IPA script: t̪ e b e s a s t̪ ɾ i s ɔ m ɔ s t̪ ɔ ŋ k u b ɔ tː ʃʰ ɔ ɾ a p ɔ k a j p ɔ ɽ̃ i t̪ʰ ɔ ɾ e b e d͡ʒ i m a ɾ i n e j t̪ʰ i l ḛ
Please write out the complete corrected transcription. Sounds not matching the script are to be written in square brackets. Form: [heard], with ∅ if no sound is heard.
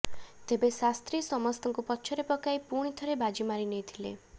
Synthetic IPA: t̪ e b e s a s t̪ ɾ i s ɔ m ɔ s t̪ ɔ ŋ k u [p] ɔ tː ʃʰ ɔ ɾ [e] p ɔ k a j p [u] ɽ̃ i t̪ʰ ɔ ɾ e b [a] d͡ʒ i m a ɾ i n e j t̪ʰ i l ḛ

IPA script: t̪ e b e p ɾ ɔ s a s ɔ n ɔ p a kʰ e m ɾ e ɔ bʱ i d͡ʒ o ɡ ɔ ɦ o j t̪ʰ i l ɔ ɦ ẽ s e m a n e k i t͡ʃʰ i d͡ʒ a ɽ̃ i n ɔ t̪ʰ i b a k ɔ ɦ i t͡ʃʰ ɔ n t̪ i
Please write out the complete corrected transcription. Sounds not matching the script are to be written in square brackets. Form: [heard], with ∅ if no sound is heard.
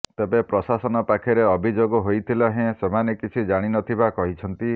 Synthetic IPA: t̪ e b e p ɾ ɔ s a s ɔ n ɔ p a kʰ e [∅] ɾ e ɔ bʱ i d͡ʒ o ɡ ɔ ɦ o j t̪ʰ i l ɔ ɦ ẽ s e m a n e k i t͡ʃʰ i d͡ʒ a ɽ̃ i n ɔ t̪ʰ i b a k ɔ ɦ i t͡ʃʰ ɔ n t̪ i

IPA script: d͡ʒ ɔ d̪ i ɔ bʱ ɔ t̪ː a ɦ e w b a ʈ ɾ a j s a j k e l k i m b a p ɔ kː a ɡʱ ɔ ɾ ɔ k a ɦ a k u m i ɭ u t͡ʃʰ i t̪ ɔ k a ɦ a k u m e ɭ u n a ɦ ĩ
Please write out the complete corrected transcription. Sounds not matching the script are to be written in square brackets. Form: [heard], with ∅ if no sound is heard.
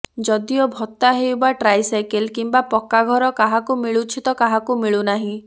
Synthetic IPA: d͡ʒ ɔ d̪ i ɔ bʱ ɔ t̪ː a ɦ e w b a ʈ ɾ a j s a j k e l k i m b a p ɔ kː a ɡʱ ɔ ɾ ɔ k a ɦ a k u m i ɭ u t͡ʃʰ i t̪ ɔ k a ɦ a k u m [i] ɭ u n a ɦ ĩ

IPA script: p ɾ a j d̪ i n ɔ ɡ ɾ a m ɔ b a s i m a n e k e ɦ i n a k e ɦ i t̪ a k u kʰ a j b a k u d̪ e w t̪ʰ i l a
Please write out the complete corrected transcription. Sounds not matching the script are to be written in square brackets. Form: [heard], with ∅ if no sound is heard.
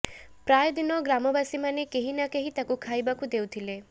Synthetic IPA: p ɾ a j d̪ i n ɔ ɡ ɾ a m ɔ b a s i m a n e k e ɦ i n a k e ɦ i t̪ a k u kʰ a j b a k u d̪ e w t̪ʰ i l [e]

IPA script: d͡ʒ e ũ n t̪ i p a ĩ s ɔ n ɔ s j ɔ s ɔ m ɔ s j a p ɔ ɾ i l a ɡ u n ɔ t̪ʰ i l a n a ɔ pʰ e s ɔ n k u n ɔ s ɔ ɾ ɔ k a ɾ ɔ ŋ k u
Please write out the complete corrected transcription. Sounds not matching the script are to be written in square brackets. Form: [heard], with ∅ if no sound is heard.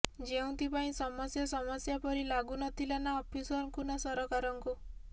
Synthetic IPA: d͡ʒ e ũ n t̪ i p a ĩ s ɔ [m] ɔ s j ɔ s ɔ m ɔ s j a p ɔ ɾ i l a ɡ u n ɔ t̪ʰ i l a n a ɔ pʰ [i] s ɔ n k u n ɔ s ɔ ɾ ɔ k a ɾ ɔ ŋ k u

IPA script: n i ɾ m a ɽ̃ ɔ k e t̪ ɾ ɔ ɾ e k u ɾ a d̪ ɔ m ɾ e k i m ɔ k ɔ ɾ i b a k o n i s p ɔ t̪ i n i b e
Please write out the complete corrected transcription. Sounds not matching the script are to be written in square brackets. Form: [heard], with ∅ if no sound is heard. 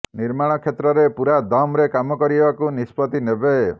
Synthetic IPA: n i ɾ m a ɽ̃ ɔ [kʰ] e t̪ ɾ ɔ ɾ e [p] u ɾ a d̪ ɔ m ɾ e k [a] m ɔ k ɔ ɾ i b a k [u] n i s p ɔ t̪ i n [e] b e

